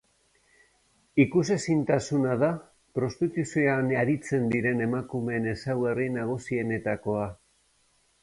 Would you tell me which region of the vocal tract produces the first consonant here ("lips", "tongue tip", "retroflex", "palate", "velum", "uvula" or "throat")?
velum